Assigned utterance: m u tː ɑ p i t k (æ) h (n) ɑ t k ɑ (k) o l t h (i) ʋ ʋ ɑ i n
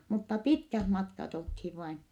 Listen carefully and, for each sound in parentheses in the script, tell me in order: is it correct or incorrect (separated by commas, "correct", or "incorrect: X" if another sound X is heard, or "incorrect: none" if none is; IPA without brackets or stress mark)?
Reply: correct, incorrect: m, incorrect: t, correct